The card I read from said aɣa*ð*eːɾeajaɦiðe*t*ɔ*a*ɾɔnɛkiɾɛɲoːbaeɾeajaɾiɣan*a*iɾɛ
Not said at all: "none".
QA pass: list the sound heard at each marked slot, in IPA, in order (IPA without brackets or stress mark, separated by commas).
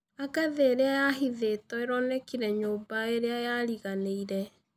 ð, t, e, e